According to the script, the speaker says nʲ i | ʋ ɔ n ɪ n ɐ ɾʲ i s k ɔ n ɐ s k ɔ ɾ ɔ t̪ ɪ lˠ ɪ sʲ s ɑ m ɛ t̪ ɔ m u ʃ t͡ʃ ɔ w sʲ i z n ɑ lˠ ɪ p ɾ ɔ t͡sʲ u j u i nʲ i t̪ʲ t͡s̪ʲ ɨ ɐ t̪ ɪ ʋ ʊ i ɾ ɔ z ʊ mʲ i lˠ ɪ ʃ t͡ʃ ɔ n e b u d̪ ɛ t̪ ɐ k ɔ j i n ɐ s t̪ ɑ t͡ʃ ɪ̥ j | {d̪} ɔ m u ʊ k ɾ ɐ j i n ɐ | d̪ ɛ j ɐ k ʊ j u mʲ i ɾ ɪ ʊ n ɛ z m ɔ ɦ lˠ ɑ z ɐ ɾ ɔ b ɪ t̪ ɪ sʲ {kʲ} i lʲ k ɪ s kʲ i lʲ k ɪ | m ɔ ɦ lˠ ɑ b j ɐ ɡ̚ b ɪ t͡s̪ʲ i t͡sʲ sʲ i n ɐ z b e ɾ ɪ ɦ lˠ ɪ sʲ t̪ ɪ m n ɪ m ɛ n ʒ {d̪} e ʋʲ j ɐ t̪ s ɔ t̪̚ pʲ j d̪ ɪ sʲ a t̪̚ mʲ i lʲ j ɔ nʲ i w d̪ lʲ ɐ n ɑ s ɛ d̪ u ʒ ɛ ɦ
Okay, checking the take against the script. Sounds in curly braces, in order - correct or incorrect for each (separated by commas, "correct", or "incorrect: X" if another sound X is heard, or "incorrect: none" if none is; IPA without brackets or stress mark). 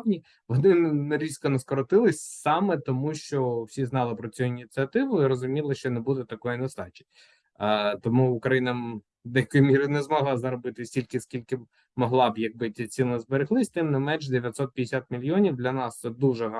incorrect: t̪, incorrect: tʲ, correct